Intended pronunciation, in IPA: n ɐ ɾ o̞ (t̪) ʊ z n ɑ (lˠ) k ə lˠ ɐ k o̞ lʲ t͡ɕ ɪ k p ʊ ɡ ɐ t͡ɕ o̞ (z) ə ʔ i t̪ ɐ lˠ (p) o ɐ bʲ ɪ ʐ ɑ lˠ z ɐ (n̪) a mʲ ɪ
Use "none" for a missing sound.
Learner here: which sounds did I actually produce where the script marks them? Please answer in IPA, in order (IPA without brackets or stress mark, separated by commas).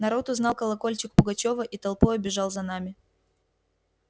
t̪, lˠ, v, p, n̪